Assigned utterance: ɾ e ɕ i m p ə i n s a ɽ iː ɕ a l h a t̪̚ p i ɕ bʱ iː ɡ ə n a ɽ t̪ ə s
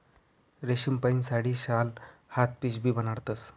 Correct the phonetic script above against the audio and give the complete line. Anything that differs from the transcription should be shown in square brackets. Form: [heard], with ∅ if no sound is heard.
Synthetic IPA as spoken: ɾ e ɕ i m p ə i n s a ɽ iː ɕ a l h a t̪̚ p i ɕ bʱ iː [b] ə n a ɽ t̪ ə s

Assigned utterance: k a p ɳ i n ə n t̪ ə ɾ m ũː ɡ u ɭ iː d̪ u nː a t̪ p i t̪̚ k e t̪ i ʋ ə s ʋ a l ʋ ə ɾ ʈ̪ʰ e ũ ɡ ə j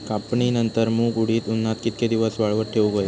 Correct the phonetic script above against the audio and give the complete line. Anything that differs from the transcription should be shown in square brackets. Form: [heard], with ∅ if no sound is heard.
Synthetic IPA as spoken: k a p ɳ i n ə n t̪ ə ɾ m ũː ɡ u [ɽ] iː [t̪] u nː a t̪ [k] i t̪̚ k e [d̪] i ʋ ə s ʋ a [ɭ] ʋ ə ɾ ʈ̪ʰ e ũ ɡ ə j

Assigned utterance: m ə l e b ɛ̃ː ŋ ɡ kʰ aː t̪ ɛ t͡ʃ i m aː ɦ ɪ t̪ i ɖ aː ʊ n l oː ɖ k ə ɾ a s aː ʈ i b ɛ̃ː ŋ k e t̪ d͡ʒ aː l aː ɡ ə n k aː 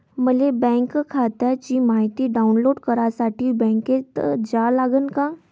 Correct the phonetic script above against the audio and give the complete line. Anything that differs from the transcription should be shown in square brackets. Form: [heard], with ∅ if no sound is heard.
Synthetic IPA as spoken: m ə l e b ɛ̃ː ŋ [k] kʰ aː t̪ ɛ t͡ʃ i m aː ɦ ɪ t̪ i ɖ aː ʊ n l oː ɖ k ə ɾ a s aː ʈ i b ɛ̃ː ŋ k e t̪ d͡ʒ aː l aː ɡ ə n k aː

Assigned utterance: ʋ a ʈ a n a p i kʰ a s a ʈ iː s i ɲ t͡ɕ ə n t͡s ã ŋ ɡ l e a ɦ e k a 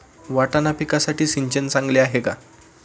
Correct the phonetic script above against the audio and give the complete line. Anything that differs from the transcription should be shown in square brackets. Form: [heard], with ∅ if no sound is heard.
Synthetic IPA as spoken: ʋ a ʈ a n a p i [k] a s a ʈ iː s i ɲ t͡ɕ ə n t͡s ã ŋ ɡ l e a ɦ e k a

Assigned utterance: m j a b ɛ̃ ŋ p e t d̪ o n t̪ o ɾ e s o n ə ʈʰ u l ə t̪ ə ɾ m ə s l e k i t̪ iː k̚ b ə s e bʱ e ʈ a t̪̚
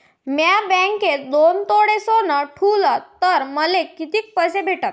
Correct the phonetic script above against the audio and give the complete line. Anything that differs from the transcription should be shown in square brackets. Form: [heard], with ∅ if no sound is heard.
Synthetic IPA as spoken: m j a b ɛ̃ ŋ [k] e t d̪ o n t̪ o [ɽ] e s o n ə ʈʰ u l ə t̪ ə ɾ m ə [∅] l e k i t̪ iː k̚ [p] ə s e bʱ e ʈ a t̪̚

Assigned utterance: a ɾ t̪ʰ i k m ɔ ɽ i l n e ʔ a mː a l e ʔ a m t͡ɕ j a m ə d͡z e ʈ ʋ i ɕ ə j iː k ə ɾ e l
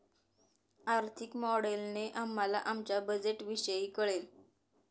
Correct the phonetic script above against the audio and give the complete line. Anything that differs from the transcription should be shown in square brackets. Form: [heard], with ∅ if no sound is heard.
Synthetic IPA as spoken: a ɾ t̪ʰ i k m ɔ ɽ [e] l n e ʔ a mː a l [a] ʔ a m t͡ɕ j a [b] ə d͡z e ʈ ʋ i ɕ ə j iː k ə [ɭ] e l

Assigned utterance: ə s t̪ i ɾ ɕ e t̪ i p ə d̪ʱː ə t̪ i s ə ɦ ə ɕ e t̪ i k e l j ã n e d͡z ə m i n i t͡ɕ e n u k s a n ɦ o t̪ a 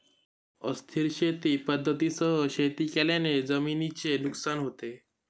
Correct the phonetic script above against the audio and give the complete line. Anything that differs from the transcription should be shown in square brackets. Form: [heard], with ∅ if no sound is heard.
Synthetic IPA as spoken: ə s [t̪ʰ] i ɾ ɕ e t̪ i p ə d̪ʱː ə t̪ i s ə ɦ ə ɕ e t̪ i k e l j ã n e d͡z ə m i n i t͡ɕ e n u k s a n ɦ o t̪ [e]

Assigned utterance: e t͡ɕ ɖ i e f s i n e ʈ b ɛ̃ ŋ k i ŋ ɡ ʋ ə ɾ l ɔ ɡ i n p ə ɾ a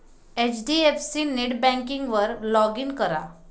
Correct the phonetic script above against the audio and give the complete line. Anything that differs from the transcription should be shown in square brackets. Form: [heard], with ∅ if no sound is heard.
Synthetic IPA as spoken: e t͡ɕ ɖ i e f s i n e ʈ b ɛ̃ ŋ k i ŋ ɡ ʋ ə ɾ l ɔ ɡ i n [k] ə ɾ a

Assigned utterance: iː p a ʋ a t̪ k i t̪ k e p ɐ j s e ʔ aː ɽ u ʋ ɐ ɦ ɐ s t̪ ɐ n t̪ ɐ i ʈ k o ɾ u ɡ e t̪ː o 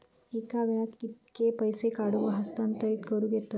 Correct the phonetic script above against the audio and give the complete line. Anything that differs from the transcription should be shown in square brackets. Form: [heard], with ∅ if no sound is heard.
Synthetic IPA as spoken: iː [k] a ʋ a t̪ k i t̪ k e p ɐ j s e [k] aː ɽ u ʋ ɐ ɦ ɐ s t̪ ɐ n t̪ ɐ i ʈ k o ɾ u ɡ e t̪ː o

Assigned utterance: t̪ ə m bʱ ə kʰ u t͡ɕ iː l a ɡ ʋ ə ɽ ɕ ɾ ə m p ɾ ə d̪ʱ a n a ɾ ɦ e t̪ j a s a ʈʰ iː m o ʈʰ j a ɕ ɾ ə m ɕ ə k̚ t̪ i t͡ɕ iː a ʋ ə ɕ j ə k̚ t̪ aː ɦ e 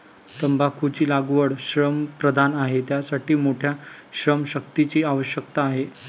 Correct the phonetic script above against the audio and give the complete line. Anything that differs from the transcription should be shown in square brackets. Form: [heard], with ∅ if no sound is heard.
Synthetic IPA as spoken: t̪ ə m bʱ [a] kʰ u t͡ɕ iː l a ɡ ʋ ə ɽ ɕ ɾ ə m p ɾ ə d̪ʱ a n a [∅] ɦ e t̪ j a s a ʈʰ iː m o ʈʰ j a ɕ ɾ ə m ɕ ə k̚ t̪ i t͡ɕ iː a ʋ ə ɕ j ə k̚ t̪ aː ɦ e

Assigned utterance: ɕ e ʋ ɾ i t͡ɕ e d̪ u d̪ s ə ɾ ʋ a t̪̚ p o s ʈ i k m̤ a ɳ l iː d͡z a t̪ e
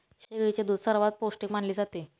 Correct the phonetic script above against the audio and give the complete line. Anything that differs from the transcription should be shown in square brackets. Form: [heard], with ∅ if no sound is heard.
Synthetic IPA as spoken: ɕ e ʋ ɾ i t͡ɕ e d̪ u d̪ s ə ɾ ʋ a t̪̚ p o s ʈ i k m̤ a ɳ l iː d͡z a t̪ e

